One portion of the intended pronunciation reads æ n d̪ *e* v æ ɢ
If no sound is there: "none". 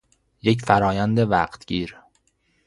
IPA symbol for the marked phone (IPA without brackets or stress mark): e